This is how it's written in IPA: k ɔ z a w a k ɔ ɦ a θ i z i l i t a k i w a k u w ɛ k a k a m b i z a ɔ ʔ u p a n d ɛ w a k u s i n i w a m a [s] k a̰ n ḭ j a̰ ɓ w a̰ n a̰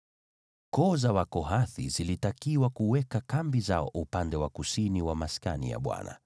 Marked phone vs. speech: correct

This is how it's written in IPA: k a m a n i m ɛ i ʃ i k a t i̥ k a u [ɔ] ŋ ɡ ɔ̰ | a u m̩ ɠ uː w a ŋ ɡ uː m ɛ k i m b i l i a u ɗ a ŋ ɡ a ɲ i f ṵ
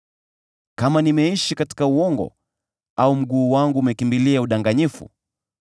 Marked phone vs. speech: correct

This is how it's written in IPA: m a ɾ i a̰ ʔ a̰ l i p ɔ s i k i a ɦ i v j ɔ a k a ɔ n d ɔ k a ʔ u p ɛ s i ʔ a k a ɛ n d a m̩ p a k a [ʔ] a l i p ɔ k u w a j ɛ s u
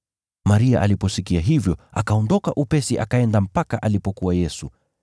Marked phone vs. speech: correct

